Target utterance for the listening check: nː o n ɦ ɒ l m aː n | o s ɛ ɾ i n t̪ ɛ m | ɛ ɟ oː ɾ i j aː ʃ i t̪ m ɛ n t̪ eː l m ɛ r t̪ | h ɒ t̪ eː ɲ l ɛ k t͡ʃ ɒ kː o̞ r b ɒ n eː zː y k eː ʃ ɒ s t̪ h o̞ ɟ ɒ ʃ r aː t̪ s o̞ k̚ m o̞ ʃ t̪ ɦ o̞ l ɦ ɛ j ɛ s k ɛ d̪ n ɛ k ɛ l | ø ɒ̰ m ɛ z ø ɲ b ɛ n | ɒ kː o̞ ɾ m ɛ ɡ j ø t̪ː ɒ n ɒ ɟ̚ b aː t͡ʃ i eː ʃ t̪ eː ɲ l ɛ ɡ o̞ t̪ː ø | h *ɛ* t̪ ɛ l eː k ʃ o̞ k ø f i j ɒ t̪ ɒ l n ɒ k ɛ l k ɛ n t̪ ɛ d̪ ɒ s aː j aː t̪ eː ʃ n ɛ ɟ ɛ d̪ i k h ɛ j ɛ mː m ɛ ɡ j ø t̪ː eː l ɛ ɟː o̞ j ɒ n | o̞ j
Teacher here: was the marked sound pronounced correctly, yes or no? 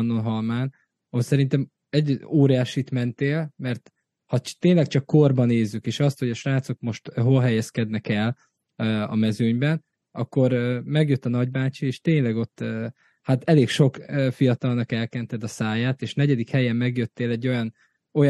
no